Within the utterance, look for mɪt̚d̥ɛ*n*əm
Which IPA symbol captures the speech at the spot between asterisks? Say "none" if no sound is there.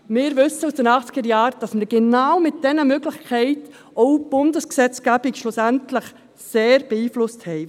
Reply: n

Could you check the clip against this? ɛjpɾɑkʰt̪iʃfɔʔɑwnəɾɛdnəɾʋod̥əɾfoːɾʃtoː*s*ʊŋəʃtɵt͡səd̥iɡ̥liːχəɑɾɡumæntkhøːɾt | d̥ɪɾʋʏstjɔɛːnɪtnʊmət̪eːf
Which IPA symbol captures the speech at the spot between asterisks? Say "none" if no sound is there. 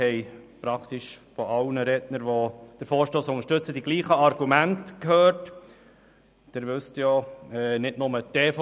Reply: s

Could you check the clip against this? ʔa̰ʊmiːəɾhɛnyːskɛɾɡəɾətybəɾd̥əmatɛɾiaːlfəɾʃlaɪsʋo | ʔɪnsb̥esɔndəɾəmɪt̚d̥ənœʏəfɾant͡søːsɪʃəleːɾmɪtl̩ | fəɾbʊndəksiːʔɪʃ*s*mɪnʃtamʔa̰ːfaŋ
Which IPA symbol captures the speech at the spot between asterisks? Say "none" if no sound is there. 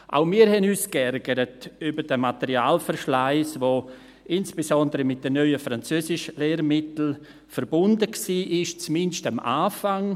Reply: t͡s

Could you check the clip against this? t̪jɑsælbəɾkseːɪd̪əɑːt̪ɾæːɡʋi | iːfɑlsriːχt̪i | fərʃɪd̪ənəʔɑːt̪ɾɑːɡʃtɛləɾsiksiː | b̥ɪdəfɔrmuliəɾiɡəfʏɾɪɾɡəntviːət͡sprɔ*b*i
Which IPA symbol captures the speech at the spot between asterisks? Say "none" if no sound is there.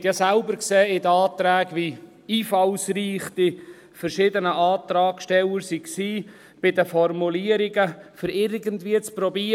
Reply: b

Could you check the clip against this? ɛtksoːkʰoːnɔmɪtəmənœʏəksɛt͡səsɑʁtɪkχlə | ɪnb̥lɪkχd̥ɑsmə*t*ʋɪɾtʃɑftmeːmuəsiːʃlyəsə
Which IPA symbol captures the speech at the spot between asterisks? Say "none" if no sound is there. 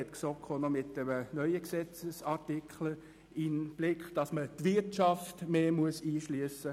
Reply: t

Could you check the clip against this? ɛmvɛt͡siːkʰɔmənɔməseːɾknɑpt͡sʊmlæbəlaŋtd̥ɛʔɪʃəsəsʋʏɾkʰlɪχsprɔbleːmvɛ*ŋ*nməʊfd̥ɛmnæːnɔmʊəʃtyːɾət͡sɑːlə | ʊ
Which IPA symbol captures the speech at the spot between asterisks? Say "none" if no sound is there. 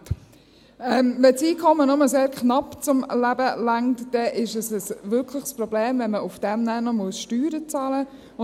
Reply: none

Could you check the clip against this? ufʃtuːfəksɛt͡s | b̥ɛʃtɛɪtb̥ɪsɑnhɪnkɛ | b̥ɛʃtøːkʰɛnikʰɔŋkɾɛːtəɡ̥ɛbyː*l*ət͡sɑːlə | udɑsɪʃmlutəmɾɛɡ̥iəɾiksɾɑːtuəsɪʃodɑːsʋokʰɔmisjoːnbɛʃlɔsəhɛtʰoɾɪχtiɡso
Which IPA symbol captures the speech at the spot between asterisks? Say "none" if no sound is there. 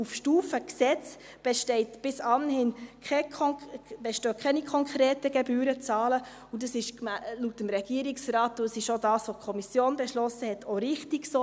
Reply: ɾ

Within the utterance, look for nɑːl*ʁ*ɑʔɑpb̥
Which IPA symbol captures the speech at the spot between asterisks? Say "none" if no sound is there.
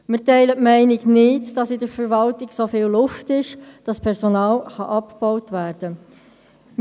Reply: χ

